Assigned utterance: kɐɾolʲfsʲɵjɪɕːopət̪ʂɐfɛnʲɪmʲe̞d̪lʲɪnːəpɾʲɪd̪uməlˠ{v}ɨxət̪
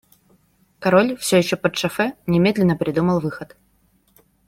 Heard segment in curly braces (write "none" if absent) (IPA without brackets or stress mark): v